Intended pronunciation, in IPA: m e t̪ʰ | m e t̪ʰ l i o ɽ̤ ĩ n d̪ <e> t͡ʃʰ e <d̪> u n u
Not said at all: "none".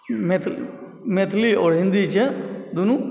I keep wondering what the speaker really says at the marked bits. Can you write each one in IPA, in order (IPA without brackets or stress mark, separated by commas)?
i, d̪